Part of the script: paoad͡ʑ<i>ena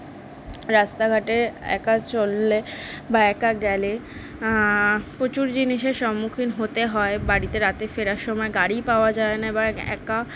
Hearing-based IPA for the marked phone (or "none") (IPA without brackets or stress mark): a